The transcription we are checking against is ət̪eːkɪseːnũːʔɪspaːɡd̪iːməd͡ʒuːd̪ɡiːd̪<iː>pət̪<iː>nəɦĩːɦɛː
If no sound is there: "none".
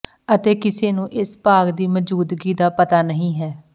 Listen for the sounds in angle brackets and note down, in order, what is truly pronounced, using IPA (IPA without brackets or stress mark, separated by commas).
aː, aː